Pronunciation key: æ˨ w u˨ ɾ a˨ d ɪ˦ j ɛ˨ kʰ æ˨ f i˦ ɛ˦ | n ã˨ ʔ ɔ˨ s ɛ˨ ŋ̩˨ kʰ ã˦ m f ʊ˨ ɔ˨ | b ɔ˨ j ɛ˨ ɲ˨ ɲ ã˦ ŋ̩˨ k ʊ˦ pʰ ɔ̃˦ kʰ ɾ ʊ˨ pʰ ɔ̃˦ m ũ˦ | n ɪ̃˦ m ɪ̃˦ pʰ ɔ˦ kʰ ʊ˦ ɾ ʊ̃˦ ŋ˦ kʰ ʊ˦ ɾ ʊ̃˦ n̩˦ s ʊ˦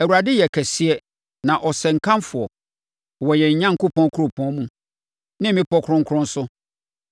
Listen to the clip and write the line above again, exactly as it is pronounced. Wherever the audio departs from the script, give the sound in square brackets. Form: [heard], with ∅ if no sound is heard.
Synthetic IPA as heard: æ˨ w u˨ ɾ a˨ d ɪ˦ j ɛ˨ kʰ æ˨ [s] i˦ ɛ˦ | n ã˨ ʔ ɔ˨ s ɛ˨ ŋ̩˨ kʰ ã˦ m f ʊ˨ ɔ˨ | [w] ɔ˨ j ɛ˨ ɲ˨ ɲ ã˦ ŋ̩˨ k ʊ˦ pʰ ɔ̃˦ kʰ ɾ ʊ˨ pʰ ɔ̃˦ m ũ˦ | n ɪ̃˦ m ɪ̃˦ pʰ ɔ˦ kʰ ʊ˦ ɾ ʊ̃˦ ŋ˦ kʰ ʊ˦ ɾ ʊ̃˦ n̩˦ s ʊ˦